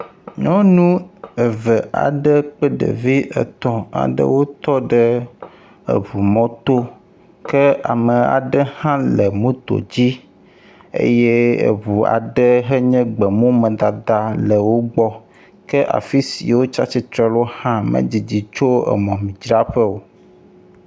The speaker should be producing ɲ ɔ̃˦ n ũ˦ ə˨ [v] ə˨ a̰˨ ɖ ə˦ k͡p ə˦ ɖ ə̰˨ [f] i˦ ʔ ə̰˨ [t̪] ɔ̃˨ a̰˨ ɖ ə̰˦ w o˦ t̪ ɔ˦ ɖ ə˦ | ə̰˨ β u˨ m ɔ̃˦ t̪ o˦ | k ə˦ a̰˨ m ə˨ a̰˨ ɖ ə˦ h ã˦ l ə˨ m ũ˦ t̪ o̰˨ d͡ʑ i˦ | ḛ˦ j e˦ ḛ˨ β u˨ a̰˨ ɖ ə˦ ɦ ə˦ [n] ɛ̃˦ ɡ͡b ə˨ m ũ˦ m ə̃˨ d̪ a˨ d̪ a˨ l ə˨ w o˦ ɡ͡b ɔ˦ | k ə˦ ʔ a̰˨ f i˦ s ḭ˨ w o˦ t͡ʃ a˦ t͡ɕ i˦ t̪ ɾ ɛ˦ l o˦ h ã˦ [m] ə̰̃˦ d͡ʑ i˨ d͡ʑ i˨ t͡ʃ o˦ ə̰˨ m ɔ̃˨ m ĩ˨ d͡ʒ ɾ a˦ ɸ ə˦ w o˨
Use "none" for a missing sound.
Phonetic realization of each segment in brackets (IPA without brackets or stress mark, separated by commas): v, v, t̪, ɲ, m